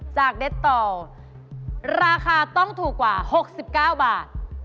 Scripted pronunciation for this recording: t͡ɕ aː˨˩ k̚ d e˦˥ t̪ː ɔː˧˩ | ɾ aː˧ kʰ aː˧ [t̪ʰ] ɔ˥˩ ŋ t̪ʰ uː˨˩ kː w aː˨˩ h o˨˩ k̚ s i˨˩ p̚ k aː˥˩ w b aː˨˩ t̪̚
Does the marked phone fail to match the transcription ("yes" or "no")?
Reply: yes